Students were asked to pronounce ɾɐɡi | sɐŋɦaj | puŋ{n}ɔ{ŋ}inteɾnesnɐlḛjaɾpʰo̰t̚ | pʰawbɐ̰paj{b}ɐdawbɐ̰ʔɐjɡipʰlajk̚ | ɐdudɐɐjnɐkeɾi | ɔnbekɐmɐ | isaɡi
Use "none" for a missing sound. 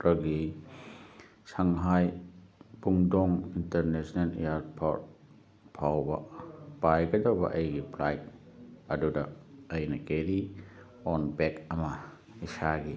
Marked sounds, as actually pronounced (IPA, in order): d, ŋ, ɡ

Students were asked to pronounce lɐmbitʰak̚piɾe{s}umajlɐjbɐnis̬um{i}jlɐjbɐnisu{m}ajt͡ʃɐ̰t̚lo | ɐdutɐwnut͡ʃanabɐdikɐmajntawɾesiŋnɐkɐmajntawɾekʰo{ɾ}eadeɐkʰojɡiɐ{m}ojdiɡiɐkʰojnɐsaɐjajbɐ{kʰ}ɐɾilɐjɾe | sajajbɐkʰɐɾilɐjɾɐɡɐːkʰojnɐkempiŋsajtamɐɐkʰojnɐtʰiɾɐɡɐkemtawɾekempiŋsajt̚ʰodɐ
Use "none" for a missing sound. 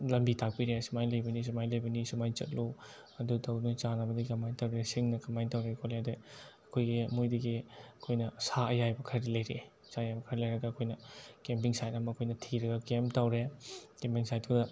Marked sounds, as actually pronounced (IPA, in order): s, a, m, l, m, kʰ

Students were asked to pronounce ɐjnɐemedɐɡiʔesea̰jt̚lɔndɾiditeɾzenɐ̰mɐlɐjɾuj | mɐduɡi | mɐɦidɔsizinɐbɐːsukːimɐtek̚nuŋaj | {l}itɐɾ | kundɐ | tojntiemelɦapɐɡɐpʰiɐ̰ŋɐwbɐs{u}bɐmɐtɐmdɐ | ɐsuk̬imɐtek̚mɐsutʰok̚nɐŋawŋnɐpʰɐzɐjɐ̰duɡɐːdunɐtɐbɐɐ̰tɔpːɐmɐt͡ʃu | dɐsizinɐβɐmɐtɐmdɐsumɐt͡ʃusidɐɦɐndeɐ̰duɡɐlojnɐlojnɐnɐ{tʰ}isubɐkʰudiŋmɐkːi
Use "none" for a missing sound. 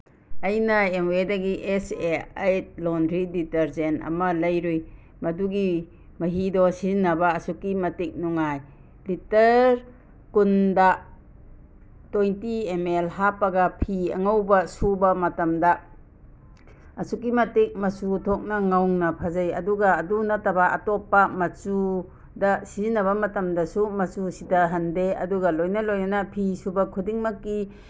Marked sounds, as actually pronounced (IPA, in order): l, u, pʰ

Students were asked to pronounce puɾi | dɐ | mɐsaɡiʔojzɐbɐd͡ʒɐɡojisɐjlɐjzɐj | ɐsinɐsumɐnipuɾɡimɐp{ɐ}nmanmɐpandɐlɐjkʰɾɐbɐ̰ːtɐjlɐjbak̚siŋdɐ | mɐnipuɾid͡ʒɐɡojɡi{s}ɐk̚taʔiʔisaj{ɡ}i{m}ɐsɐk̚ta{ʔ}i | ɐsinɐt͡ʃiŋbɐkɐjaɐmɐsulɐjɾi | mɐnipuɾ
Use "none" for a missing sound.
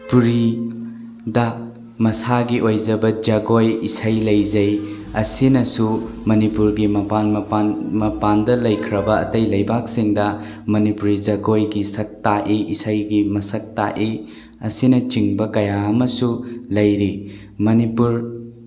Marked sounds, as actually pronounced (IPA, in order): a, s, ɡ, m, ʔ

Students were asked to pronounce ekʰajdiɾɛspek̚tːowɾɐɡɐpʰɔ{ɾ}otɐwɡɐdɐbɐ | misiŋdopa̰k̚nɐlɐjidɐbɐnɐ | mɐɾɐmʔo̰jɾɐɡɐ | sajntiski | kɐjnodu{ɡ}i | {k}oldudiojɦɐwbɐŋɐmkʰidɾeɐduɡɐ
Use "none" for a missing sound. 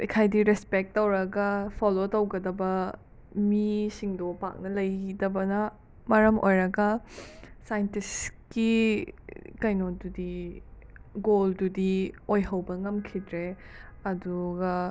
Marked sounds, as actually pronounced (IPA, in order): l, d, ɡ

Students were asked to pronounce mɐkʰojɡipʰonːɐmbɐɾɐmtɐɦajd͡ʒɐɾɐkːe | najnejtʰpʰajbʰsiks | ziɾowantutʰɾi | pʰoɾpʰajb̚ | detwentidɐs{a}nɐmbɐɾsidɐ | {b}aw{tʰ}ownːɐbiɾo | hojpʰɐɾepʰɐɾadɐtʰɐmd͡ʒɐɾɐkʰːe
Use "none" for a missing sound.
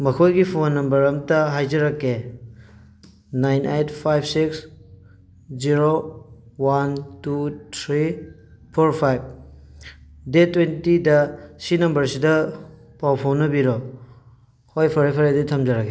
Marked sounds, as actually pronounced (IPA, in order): i, p, pʰ

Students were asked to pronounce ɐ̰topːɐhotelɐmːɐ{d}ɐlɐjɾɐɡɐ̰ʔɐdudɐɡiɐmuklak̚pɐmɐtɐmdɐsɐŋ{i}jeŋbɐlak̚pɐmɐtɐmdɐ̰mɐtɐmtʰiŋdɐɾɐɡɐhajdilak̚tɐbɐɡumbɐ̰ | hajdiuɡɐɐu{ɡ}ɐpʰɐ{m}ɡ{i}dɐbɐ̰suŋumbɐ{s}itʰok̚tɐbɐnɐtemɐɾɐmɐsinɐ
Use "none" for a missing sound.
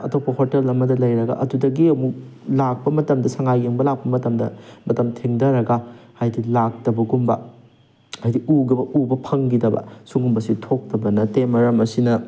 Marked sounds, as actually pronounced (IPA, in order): d, a, b, ŋ, i, s

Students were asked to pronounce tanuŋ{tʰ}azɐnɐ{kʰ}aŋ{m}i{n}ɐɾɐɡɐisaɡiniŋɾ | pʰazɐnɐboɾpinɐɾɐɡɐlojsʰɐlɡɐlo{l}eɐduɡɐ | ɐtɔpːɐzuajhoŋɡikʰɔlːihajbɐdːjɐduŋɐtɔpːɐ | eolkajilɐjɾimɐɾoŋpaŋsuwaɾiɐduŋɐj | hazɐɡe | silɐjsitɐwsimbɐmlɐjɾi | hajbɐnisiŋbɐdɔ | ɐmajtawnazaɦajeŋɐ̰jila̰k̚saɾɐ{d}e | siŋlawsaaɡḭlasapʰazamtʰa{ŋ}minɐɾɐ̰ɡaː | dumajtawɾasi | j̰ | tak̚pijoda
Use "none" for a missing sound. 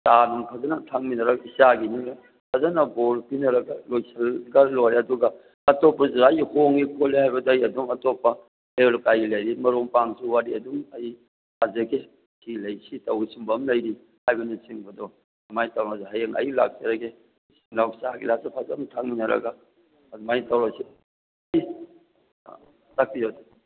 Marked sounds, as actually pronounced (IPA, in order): pʰ, tʰ, m, n, ɾ, ɡ, ŋ

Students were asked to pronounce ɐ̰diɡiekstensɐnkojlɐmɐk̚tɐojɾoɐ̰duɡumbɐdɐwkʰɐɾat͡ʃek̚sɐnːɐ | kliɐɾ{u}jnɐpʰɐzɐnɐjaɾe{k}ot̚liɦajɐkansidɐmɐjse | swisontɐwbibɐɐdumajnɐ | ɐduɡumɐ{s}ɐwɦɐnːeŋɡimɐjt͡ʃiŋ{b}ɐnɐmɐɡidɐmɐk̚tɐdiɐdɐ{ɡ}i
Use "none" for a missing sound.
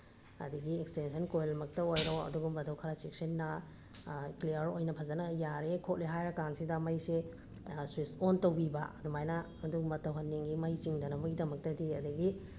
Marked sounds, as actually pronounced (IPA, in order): o, kʰ, t, d, ɡ

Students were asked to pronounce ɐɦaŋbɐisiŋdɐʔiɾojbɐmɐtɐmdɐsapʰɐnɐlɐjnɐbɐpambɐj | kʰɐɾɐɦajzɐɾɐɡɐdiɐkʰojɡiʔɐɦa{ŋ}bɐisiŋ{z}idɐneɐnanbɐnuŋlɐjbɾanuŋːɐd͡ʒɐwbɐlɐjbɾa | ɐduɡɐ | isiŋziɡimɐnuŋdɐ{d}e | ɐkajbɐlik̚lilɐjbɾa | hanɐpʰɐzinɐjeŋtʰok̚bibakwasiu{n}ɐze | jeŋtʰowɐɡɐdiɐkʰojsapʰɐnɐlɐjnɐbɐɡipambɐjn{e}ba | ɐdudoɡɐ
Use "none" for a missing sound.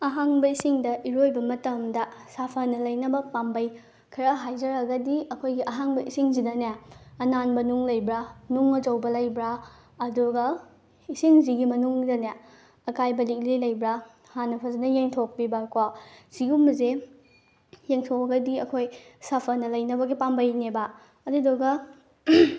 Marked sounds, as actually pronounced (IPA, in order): ŋ, z, n, m, e

